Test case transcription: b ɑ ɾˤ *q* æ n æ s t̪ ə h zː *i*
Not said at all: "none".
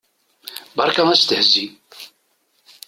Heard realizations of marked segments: k, i

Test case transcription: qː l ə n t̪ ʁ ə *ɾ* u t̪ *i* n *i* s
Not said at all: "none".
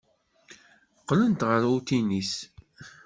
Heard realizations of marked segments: ɾ, i, i

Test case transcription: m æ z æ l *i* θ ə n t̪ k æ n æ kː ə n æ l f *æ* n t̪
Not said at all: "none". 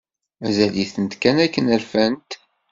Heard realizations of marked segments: i, æ

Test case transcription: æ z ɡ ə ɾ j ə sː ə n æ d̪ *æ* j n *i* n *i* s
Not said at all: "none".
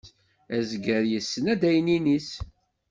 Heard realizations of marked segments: æ, i, i

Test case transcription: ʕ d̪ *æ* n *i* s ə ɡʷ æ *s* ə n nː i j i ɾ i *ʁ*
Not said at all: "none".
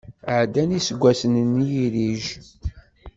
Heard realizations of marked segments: æ, i, s, ʒ

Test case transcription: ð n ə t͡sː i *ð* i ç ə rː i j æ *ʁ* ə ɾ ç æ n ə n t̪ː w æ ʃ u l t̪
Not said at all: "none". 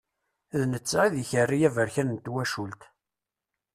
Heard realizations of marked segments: ð, v

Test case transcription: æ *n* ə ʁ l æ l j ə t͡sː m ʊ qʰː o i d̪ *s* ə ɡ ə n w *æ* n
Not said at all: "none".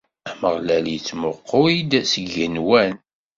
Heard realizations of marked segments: m, s, æ

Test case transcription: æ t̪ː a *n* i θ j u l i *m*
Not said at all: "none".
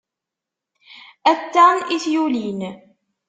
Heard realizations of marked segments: n, n

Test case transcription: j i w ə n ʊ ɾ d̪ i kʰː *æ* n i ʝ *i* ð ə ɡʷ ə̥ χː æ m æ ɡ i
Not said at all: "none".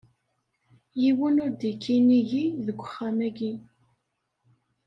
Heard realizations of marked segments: i, i

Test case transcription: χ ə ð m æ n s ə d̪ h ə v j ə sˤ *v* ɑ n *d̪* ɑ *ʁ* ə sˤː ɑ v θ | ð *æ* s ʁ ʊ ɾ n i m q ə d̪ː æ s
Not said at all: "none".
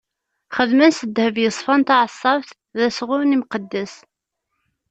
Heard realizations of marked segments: f, t̪, ʕ, æ

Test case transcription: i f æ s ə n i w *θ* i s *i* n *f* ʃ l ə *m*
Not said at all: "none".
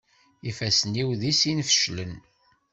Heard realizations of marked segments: ð, i, f, n

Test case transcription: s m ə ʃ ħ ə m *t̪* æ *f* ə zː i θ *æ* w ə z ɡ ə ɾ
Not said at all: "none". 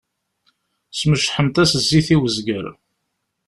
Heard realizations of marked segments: t̪, s, i

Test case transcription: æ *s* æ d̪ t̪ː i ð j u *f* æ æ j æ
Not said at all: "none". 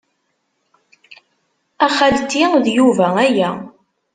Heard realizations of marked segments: χ, v

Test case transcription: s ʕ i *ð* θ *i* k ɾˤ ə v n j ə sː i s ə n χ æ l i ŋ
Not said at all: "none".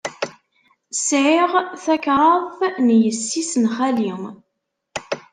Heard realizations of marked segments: ʁ, æ

